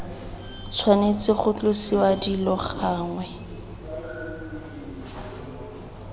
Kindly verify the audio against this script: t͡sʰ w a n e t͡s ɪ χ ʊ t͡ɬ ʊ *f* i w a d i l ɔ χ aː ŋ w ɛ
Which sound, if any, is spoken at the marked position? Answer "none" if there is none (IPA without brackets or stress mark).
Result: s